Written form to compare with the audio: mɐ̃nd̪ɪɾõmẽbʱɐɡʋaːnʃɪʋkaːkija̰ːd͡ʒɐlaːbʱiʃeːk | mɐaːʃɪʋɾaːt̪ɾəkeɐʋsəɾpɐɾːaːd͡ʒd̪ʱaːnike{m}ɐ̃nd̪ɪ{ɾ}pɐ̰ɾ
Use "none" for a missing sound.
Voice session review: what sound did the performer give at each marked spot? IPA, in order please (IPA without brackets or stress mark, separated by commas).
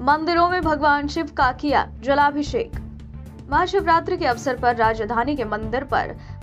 m, ɾ